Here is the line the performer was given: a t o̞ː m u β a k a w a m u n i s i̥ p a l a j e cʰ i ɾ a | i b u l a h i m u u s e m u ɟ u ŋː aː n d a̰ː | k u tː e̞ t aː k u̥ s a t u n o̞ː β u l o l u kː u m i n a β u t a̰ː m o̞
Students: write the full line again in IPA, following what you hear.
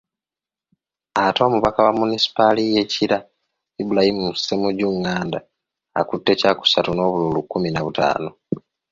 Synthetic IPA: a t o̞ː m u β a k a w a m u n i s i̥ p a l i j e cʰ i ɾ a | i b u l a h i m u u s e m u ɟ u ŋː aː n d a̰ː | k u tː e̞ c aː k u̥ s a t u n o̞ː β u l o l u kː u m i n a β u t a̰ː n o̞